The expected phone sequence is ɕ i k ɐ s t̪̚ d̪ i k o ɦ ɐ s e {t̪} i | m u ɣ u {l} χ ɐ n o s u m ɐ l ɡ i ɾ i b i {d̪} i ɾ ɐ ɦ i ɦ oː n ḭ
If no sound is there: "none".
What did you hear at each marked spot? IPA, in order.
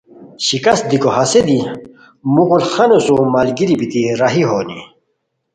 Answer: d̪, l, t̪

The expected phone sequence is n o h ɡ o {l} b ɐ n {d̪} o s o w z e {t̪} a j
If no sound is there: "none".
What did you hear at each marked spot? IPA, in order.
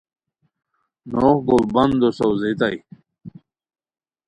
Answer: l, d̪, t̪

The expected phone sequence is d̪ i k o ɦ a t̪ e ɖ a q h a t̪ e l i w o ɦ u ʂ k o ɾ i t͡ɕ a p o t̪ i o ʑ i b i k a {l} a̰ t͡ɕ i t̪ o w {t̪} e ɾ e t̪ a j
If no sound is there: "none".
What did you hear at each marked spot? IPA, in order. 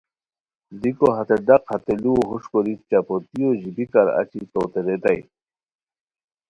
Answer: ɾ, t̪

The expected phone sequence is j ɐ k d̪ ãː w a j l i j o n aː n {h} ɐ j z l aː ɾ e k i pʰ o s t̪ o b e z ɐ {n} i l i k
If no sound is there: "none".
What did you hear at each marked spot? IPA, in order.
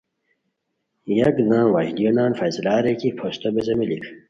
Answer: f, m

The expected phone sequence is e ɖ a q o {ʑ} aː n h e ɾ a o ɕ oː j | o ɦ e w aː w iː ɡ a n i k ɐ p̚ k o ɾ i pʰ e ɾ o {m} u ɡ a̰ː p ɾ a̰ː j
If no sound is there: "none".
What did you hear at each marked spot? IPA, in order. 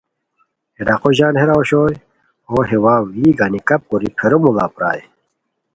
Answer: ʑ, m

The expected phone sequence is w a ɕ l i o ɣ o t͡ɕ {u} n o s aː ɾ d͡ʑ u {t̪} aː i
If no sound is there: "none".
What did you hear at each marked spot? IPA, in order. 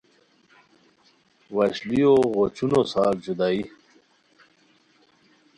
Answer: u, d̪

